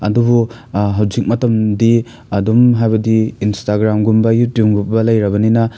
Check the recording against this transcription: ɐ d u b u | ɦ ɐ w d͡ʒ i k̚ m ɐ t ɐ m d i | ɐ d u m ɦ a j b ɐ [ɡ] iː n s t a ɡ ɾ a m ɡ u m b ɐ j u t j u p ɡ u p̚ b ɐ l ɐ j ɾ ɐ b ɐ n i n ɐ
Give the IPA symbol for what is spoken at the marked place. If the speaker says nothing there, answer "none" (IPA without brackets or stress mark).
d